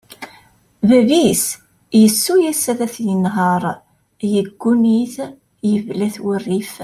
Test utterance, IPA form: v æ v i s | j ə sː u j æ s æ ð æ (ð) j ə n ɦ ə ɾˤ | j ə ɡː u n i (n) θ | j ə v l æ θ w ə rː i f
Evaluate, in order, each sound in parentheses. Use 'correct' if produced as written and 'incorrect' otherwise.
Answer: incorrect: θ, incorrect: none

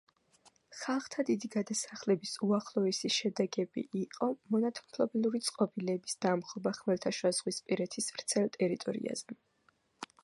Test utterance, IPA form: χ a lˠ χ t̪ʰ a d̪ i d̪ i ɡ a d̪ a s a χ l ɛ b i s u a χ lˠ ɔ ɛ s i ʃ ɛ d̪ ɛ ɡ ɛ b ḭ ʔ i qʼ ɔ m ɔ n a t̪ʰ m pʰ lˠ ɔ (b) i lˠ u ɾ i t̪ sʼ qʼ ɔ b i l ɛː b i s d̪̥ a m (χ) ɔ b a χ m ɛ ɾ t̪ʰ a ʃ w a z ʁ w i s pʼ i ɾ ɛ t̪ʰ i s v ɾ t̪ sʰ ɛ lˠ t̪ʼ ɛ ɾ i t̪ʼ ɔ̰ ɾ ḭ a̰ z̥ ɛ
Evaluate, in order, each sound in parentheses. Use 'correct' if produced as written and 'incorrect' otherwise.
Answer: correct, correct

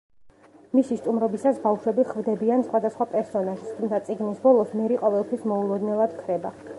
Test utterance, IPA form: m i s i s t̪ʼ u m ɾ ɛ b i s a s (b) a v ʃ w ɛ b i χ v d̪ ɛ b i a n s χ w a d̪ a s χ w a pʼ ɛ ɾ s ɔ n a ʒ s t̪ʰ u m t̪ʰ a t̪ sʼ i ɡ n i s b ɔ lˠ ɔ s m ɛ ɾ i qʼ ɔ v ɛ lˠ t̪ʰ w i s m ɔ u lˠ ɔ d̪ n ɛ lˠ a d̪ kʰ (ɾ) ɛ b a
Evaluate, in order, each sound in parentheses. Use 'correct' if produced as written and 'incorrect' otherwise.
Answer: correct, correct

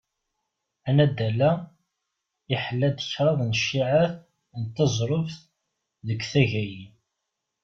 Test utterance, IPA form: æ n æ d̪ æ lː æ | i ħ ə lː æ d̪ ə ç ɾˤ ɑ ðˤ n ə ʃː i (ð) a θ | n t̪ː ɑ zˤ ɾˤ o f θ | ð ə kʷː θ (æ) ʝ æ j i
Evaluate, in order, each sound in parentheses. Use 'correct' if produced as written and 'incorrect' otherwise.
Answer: incorrect: ʕ, correct

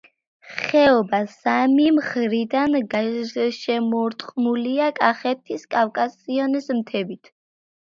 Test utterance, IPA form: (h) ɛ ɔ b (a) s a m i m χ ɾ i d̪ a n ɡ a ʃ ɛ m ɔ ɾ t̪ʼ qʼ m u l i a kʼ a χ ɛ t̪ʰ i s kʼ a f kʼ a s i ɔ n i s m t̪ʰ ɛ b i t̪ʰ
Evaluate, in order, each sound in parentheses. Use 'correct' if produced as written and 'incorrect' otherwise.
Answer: incorrect: χ, correct

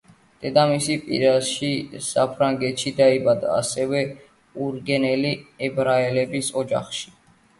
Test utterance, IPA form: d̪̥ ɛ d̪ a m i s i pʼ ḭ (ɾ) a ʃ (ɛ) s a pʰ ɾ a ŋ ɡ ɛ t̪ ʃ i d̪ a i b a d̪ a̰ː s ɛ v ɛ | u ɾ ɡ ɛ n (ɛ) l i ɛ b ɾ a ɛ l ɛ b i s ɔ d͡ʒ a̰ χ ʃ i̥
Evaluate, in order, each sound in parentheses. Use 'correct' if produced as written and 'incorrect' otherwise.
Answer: correct, incorrect: i, correct

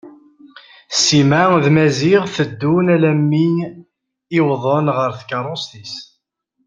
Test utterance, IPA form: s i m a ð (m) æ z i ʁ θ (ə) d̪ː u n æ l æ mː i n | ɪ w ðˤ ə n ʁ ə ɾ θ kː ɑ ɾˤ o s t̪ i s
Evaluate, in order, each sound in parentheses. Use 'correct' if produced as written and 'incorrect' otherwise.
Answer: correct, correct

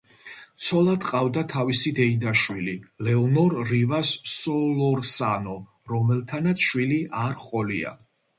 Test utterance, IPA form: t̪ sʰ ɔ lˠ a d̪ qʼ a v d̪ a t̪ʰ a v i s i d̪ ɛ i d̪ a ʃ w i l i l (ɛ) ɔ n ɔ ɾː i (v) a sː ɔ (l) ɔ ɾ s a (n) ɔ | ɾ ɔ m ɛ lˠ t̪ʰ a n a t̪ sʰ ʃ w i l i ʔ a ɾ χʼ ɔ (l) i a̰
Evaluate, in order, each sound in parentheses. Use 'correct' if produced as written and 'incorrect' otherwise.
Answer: correct, correct, correct, correct, correct

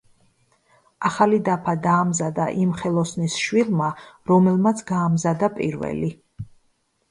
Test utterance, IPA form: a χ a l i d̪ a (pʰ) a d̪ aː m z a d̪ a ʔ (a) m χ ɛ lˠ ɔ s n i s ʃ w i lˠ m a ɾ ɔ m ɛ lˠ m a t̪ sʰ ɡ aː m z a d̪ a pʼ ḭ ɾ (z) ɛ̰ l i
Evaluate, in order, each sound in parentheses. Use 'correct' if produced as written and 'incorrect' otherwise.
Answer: correct, incorrect: i, incorrect: v

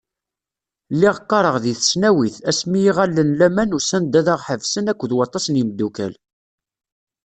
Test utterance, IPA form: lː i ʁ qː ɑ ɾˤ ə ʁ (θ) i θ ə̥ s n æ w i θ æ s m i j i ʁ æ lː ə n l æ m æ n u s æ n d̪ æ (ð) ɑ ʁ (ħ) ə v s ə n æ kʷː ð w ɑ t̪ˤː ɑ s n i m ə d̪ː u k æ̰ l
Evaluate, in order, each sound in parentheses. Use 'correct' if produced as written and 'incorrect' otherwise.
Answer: incorrect: ð, correct, correct

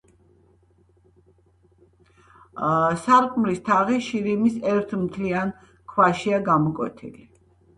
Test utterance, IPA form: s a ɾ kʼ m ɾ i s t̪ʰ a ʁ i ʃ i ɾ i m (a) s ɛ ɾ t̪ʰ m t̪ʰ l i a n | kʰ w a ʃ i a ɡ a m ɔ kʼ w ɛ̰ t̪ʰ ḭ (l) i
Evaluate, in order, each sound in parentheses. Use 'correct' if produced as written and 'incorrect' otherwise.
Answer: incorrect: i, correct

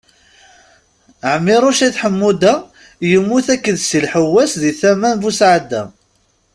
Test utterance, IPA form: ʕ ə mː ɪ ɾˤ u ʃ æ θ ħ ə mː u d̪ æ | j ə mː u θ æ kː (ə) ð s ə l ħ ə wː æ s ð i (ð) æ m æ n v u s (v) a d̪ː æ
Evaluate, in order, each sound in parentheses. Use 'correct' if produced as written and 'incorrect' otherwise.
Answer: correct, incorrect: θ, incorrect: ʕ

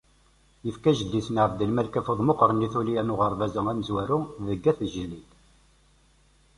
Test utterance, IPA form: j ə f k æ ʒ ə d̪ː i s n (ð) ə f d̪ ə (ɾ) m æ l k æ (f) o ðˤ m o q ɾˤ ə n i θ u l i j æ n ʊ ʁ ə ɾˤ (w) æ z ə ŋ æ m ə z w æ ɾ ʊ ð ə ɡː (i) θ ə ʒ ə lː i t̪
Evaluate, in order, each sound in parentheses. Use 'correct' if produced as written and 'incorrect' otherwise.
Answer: incorrect: ʕ, incorrect: l, correct, incorrect: v, incorrect: æ

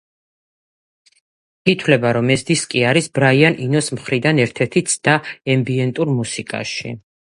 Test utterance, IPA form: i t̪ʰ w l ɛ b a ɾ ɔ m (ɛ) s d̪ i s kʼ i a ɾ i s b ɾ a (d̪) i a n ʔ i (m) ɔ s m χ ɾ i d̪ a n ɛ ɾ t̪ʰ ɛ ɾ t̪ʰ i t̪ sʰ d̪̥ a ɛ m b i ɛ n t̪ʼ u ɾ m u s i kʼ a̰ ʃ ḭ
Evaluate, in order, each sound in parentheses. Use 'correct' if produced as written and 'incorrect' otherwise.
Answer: correct, incorrect: none, incorrect: n

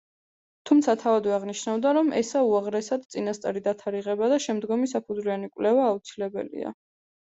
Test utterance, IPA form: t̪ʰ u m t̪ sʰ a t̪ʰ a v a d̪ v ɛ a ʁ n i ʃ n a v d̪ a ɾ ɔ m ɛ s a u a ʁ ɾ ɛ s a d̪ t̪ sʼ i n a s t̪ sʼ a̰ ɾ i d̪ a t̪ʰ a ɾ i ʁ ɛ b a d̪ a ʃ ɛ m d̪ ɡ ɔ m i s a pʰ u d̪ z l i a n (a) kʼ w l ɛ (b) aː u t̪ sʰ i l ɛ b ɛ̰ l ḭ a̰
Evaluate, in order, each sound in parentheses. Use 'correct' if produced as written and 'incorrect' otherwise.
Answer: incorrect: i, incorrect: v

